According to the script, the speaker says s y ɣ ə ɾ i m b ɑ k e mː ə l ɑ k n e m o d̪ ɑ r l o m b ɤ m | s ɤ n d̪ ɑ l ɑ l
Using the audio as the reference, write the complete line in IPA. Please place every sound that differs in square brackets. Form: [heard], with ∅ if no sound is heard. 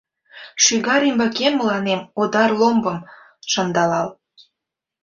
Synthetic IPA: [ʃ] y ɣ [ɑ] ɾ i m b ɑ k e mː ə l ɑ [∅] n e m o d̪ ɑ r l o m b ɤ m | [ʃ] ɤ n d̪ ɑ l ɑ l